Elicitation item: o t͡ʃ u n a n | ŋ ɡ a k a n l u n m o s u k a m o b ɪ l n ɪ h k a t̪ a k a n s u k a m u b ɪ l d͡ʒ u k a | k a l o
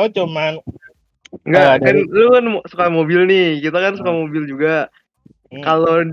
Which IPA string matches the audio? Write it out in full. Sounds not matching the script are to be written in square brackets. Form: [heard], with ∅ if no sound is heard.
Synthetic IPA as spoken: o t͡ʃ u [m] a n | ŋ ɡ a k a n l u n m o s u k a m o b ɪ l n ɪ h k [i] t̪ a k a n s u k a m [o] b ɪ l d͡ʒ u [ɡ] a | k a l o